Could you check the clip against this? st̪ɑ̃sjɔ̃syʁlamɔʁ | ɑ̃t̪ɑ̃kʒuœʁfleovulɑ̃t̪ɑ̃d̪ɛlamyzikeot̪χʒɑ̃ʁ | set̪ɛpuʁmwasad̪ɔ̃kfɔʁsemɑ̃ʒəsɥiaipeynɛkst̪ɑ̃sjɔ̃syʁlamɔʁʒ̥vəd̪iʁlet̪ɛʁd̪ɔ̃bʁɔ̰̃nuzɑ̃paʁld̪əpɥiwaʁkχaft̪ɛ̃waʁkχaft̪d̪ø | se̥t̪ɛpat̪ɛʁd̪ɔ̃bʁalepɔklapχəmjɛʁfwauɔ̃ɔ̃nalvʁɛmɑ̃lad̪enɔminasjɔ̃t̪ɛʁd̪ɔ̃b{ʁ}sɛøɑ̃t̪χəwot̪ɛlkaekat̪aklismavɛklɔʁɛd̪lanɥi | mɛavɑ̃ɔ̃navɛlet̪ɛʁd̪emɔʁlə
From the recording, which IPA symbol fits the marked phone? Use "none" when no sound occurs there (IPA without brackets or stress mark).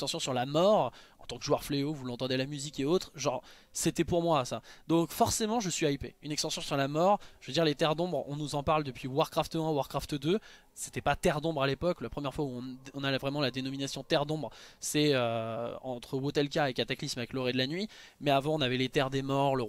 ʁ